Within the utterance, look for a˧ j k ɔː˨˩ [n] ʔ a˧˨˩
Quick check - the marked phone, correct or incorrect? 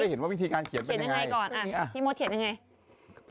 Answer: correct